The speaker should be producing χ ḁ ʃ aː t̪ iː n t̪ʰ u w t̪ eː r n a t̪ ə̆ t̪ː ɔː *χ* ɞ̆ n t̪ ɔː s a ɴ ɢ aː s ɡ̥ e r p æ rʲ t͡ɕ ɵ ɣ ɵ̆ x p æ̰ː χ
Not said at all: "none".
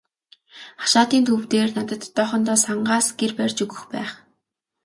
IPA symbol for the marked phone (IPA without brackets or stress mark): χ